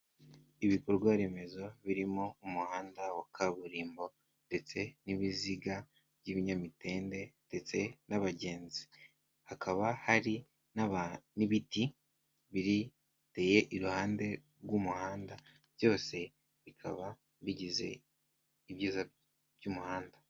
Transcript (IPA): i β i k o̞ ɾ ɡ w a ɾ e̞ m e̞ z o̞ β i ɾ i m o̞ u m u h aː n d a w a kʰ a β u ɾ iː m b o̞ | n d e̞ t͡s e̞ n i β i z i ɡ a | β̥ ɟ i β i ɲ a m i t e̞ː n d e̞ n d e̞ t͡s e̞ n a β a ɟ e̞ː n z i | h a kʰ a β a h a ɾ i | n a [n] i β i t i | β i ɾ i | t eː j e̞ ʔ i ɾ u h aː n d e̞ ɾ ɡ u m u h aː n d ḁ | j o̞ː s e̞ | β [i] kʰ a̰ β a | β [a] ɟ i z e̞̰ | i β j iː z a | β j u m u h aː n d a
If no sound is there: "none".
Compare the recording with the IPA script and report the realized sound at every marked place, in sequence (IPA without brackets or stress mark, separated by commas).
n, i, i